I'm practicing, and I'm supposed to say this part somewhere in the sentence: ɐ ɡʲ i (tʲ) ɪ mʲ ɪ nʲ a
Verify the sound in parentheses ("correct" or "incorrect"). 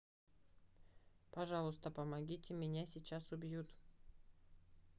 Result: correct